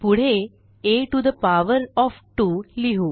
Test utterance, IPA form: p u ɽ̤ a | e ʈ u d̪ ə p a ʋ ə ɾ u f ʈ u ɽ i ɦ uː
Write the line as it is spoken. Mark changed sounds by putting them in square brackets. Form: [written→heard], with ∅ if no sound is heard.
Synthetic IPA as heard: p u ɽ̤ [a→e] | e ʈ u d̪ ə p a ʋ ə ɾ [u→ɔ] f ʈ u [ɽ→l] i ɦ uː